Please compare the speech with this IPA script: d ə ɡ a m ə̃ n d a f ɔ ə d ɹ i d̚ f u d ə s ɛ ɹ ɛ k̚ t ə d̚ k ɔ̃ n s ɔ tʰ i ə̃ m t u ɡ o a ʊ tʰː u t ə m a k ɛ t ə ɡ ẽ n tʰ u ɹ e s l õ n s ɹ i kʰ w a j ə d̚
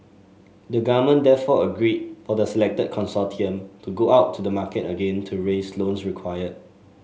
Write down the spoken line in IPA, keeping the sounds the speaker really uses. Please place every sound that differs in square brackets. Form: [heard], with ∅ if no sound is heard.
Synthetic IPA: d ə ɡ a m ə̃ n d [ɛ] f ɔ ə [ɡ] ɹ i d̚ f [ɔ] d ə s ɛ [l] ɛ k̚ t ə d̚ [kʰ] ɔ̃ n s ɔ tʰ i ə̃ m t u ɡ o a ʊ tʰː u [d] ə m a k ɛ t ə ɡ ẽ n tʰ u ɹ e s l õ n s ɹ i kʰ w a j ə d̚